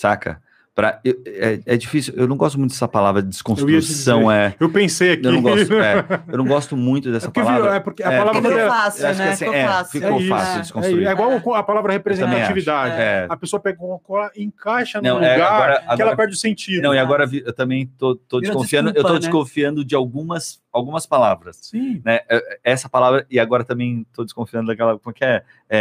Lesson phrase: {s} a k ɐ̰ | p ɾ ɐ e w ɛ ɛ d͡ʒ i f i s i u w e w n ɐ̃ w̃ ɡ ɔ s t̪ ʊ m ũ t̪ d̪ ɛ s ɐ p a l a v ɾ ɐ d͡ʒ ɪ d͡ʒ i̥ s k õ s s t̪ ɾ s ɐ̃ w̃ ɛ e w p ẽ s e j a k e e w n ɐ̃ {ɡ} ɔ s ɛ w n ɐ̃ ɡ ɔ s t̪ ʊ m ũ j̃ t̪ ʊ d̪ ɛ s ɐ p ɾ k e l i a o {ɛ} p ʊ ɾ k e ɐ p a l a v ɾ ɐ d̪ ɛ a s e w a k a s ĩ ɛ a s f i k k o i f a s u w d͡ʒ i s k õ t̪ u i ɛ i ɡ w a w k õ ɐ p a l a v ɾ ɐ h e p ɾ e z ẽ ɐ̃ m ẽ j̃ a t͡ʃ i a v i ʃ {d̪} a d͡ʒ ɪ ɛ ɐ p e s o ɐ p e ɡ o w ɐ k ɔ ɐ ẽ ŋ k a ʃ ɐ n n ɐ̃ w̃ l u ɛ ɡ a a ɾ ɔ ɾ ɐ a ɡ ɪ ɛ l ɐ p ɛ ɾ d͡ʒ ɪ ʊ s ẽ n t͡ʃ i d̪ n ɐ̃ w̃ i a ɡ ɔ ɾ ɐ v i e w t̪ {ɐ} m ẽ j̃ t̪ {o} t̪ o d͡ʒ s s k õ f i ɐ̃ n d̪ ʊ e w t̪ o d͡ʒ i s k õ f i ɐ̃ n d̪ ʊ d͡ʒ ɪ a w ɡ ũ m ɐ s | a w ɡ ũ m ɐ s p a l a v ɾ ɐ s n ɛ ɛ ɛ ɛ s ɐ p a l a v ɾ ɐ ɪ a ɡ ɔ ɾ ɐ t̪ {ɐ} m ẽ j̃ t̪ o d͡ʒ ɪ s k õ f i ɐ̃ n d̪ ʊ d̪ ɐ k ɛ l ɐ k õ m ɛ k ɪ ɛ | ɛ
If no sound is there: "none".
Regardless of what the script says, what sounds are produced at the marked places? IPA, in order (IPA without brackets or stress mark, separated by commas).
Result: s, ɡ, ɛ, d̪, ɐ̃, o, ɐ̃